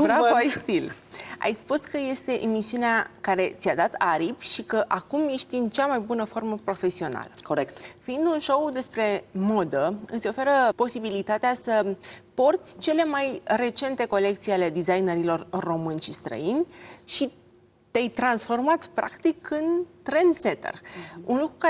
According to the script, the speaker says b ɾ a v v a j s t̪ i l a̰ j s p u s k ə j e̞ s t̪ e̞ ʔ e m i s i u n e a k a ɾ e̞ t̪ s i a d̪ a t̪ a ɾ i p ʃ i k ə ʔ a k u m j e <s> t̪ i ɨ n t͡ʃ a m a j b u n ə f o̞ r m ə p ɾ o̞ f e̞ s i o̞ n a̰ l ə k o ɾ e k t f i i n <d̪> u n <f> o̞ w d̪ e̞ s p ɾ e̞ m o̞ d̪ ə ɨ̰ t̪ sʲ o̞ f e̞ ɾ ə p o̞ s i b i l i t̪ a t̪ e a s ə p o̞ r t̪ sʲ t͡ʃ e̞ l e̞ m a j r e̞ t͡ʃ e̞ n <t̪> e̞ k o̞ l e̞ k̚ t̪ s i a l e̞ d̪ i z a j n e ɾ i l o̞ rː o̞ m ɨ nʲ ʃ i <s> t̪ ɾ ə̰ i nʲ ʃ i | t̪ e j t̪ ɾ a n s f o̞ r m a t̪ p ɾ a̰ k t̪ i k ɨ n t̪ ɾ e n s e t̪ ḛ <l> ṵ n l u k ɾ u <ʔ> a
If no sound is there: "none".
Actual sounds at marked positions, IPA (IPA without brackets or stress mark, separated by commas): ʃ, d̪, ʃ, t̪, s, r, k